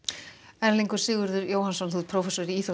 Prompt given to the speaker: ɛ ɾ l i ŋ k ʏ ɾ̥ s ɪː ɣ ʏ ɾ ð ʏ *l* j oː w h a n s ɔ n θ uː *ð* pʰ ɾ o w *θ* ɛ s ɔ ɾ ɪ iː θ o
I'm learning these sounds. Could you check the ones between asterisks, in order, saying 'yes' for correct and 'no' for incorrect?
no, yes, no

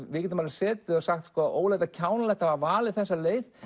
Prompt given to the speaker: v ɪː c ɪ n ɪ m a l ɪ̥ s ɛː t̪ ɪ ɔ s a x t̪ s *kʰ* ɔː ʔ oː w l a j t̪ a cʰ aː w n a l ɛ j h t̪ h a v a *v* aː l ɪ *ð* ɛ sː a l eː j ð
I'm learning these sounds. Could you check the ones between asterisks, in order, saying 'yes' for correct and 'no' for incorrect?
no, yes, no

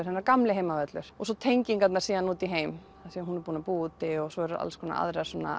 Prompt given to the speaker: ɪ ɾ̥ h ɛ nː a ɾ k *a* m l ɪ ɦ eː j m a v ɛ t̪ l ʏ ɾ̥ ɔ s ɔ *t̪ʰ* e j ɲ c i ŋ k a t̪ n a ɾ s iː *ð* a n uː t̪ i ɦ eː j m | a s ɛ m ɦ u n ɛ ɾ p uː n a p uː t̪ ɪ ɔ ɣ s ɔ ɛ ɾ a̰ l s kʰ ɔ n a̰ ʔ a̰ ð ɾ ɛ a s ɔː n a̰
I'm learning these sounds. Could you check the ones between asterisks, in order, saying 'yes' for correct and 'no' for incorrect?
yes, yes, yes

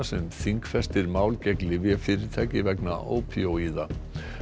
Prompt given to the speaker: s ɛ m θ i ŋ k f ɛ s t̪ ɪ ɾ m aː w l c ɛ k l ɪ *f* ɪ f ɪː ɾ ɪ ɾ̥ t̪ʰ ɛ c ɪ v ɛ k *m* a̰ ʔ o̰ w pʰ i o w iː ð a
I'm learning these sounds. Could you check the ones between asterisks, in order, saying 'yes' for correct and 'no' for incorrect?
no, no

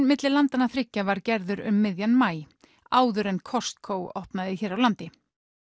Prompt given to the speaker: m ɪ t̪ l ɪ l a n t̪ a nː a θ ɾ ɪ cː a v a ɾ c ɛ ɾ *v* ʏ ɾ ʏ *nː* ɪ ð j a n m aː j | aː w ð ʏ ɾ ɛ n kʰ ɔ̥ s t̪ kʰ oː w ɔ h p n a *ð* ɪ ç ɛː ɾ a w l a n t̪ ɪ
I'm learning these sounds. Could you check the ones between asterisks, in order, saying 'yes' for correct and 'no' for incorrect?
no, no, yes

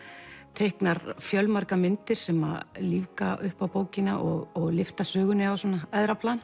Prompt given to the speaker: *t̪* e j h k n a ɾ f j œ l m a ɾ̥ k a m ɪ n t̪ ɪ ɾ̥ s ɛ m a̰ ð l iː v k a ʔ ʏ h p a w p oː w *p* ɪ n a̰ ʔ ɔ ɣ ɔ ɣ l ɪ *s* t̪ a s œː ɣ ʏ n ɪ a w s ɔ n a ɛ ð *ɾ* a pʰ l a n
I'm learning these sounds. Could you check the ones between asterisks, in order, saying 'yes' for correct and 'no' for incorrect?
no, no, no, yes

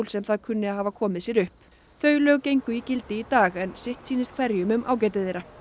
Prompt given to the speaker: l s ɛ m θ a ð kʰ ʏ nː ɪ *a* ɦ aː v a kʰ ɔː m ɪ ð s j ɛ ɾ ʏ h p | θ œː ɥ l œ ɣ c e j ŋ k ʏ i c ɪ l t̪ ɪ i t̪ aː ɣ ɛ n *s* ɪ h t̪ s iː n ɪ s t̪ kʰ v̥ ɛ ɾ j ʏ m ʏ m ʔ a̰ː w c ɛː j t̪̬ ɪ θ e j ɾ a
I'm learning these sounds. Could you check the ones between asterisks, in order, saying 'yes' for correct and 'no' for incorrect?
yes, yes

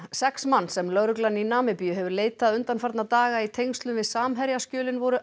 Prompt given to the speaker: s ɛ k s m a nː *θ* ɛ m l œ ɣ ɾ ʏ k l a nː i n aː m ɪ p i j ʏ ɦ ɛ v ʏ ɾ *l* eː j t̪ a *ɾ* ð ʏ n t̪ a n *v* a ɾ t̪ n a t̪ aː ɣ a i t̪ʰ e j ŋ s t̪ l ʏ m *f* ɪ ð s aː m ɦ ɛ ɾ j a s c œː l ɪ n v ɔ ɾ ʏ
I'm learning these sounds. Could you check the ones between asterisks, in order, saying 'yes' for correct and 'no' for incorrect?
no, yes, no, no, no

